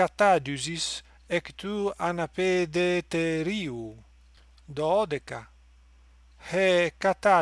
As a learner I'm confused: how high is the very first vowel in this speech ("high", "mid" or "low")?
low